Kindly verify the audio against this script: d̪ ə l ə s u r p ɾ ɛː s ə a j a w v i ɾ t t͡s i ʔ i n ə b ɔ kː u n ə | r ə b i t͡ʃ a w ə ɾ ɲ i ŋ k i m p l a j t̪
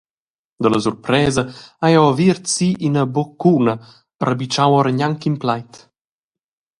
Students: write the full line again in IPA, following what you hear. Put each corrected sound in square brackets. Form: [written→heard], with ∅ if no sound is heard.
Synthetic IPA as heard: d̪ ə l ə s u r p ɾ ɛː [s→z] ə a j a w v i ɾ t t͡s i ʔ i n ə b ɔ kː u n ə | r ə b i t͡ʃ a w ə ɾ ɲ [i→a] ŋ k i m p l a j t̪